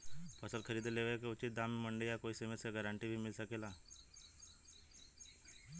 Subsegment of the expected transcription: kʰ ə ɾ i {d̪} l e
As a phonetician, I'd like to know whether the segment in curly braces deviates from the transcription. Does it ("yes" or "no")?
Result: no